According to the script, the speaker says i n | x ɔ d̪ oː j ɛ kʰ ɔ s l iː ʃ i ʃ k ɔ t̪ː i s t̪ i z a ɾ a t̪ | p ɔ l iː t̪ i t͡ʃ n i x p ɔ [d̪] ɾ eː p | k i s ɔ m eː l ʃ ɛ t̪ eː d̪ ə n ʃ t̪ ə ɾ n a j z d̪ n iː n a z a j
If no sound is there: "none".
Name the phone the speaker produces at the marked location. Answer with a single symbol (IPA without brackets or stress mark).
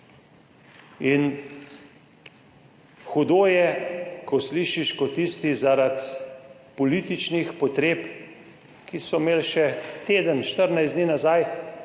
t̪